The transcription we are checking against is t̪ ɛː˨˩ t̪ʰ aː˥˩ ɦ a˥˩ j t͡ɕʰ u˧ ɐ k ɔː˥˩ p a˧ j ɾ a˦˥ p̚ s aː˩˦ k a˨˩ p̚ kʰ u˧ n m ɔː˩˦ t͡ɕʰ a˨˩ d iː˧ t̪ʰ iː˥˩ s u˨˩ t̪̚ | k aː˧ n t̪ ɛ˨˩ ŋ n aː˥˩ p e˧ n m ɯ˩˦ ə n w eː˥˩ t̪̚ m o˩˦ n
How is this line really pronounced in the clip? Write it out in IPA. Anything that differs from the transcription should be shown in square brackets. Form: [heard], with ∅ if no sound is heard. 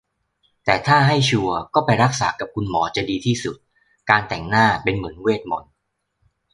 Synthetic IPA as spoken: t̪ ɛː˨˩ t̪ʰ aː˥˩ ɦ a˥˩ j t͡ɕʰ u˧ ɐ k ɔː˥˩ p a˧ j ɾ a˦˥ [k̚] s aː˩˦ k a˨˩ p̚ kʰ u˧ n m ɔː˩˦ [t͡ɕ] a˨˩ d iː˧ t̪ʰ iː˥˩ s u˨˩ t̪̚ | k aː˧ n t̪ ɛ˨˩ ŋ n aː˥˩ p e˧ n m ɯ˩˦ ə n w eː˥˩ t̪̚ m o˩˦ n